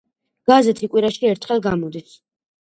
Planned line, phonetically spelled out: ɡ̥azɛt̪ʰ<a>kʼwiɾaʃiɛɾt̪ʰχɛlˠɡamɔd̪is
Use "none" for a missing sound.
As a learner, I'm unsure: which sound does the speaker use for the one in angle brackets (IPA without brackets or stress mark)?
i